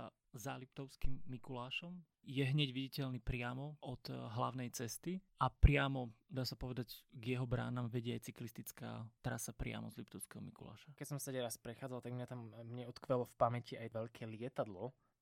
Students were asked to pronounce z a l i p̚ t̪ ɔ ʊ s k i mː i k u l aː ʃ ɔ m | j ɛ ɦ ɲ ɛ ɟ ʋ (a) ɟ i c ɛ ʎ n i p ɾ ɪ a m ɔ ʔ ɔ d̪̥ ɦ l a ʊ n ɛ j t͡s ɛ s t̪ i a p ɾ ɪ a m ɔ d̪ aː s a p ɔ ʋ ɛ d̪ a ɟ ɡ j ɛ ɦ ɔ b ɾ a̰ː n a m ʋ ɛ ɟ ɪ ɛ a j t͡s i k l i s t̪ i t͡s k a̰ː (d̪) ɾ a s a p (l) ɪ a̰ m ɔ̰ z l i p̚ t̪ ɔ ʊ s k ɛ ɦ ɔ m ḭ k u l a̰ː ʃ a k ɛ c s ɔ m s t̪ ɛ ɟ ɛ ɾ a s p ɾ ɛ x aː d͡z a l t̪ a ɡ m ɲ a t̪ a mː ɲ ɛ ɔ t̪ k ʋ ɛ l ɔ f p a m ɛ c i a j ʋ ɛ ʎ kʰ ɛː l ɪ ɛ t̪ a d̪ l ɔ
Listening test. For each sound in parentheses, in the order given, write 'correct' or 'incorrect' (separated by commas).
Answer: incorrect, incorrect, incorrect